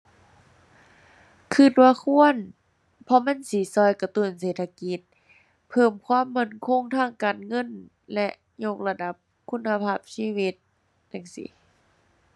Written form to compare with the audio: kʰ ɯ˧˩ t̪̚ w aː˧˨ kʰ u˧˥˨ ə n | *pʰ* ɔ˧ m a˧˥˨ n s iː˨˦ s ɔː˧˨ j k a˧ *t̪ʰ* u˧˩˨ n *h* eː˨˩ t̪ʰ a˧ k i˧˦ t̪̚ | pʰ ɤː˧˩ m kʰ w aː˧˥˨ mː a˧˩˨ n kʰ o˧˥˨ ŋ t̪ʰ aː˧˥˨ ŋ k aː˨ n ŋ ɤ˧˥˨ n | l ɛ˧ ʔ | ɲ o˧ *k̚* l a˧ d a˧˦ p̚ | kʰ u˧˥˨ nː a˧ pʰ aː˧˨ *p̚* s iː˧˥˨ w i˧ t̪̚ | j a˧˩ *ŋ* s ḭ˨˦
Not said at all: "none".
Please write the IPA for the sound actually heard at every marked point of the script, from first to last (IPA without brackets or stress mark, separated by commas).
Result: pʰ, t̪, s, k̚, p̚, ŋ